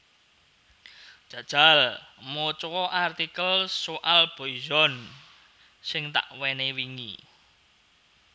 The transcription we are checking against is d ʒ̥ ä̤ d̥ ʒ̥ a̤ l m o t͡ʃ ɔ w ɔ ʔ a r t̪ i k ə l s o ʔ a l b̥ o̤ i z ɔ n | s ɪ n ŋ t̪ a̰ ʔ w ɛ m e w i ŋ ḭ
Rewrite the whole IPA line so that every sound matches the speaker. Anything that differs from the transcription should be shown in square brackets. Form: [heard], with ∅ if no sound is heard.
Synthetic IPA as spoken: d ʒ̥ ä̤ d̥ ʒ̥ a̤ l m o t͡ʃ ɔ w ɔ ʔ a r t̪ i k ə l s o ʔ a l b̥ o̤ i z ɔ n | s ɪ [∅] ŋ t̪ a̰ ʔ w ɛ [n] e w i ŋ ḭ